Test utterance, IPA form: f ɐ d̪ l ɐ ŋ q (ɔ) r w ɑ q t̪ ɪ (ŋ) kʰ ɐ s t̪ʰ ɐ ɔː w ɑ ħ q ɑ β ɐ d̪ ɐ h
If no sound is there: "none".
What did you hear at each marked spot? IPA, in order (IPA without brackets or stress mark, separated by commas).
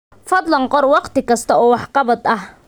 ɔ, none